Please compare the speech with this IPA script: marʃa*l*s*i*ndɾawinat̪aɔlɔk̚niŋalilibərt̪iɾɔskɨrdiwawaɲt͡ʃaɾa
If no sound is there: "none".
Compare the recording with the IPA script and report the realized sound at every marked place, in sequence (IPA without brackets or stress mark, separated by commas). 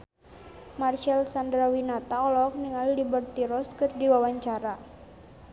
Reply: l, a